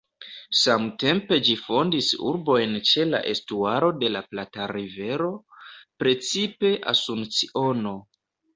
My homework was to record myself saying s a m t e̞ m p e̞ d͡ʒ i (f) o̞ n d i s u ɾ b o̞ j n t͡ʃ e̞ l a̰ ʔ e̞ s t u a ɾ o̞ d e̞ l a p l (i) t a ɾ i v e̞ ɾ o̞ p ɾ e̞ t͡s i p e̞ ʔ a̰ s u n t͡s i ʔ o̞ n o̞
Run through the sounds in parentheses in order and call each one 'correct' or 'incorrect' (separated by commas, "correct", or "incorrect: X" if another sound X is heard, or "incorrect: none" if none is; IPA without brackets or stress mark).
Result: correct, incorrect: a